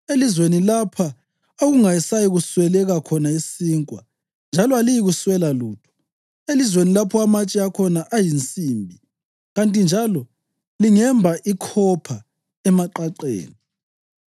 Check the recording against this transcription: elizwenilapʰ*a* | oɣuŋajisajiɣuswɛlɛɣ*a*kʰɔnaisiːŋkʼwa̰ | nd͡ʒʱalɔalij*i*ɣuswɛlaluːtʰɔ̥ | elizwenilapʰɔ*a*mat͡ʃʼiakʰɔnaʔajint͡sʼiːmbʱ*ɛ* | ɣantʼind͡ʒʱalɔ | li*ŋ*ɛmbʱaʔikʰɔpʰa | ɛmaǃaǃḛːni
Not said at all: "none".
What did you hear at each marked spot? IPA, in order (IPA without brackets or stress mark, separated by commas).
a, a, i, a, i, ŋ